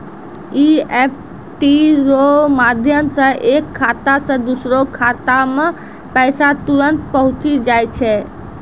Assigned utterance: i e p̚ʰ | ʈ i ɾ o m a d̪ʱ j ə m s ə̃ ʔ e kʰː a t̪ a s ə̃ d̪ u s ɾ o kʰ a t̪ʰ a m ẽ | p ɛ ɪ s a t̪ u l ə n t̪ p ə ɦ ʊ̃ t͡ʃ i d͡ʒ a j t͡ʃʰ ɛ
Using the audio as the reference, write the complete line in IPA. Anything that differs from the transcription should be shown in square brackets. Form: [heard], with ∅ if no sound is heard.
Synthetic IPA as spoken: i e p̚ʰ | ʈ i ɾ o m a d̪ʱ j ə m s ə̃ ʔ e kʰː a t̪ a s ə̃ d̪ u s ɾ o kʰ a [t̪] a m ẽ | p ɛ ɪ s a t̪ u [ɾ] ə n t̪ p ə ɦ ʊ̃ t͡ʃ i d͡ʒ a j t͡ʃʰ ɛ